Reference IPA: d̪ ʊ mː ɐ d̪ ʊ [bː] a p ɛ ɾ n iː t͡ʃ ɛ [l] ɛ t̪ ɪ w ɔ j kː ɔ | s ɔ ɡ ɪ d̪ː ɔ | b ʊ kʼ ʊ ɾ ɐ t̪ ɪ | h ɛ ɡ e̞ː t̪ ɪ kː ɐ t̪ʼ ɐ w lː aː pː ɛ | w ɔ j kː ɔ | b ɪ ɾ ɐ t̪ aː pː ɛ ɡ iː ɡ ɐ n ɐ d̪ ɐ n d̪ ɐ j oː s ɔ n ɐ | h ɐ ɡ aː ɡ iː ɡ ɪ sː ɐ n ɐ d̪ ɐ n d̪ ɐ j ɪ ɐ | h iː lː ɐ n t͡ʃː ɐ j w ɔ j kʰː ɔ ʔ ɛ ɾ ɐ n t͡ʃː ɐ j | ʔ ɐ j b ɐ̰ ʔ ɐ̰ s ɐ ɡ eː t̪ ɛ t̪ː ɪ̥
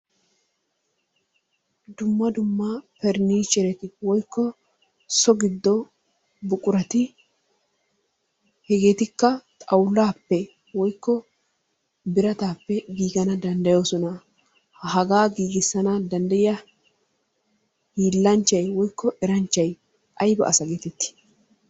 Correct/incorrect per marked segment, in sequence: incorrect: mː, incorrect: ɾ

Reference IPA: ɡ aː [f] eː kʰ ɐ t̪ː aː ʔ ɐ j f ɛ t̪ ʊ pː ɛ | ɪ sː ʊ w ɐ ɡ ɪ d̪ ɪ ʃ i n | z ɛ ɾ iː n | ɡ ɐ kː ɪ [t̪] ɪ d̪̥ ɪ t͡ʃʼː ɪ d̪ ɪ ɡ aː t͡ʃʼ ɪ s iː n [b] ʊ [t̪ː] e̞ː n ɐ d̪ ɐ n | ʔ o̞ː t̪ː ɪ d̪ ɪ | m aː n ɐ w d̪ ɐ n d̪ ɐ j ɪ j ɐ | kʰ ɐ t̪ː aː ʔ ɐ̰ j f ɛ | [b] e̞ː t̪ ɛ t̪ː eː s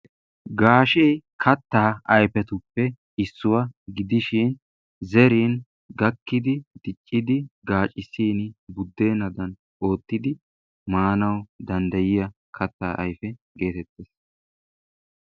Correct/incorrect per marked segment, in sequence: incorrect: ʃ, incorrect: d̪, correct, incorrect: d̪ː, incorrect: ɡ

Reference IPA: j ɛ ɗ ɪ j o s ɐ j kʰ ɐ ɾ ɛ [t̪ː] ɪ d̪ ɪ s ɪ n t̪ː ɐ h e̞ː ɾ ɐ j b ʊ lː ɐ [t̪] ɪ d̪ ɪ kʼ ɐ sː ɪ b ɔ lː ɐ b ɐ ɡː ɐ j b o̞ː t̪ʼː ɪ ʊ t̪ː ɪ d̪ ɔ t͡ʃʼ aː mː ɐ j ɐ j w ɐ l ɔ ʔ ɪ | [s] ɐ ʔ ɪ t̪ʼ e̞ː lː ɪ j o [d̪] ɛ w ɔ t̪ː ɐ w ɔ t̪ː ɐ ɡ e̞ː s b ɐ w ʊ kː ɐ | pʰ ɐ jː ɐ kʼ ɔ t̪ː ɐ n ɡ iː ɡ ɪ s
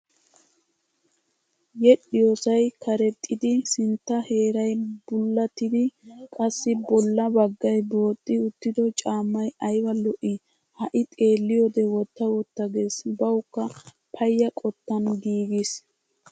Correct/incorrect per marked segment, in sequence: incorrect: t̪ʼː, correct, incorrect: h, correct

